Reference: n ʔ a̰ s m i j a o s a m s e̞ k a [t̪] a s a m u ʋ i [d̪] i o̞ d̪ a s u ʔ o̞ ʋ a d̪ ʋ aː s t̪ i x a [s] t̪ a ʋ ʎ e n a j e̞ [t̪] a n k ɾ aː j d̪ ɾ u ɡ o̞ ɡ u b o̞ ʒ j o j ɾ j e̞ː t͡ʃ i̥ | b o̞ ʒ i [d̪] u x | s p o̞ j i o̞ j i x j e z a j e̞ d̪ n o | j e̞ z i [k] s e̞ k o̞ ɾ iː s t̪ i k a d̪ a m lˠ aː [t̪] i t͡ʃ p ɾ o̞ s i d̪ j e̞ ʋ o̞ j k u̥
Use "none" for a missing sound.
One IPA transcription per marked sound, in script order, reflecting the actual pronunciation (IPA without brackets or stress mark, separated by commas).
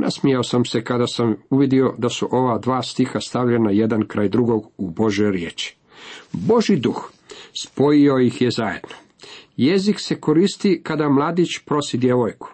d̪, d̪, s, d̪, d̪, k, d̪